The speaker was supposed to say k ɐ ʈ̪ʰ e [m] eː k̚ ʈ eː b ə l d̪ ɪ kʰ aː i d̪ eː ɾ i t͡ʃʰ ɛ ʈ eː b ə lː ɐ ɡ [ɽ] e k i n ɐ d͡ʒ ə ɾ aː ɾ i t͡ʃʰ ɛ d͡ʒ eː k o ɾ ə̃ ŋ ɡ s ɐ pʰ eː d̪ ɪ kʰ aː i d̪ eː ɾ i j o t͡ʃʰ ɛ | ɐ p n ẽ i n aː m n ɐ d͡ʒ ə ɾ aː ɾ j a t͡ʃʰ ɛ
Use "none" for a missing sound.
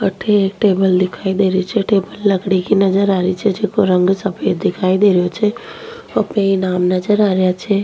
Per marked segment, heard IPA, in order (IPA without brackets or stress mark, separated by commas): none, ɽ